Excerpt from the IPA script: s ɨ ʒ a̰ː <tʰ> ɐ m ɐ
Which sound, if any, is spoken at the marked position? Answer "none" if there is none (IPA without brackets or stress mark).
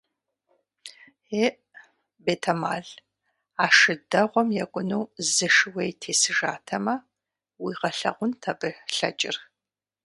tʰ